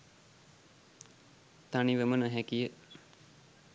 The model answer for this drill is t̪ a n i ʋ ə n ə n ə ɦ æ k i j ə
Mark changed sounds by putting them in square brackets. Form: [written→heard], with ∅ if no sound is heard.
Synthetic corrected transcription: t̪ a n i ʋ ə [n→m] ə n ə ɦ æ k i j ə